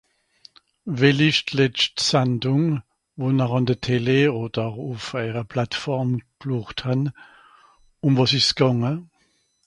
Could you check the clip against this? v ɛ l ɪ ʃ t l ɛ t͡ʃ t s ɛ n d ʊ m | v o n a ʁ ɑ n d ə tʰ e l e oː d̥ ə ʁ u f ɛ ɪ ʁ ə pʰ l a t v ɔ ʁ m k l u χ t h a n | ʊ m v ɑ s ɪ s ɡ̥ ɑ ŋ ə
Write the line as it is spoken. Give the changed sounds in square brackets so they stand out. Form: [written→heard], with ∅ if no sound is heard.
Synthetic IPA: v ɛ l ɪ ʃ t l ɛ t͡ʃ t s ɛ n d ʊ [m→ŋ] | v o n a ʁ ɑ n d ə tʰ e l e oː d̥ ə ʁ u f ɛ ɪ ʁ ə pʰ l a t [v→f] ɔ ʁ m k l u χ t h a n | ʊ m v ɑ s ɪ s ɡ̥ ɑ ŋ ə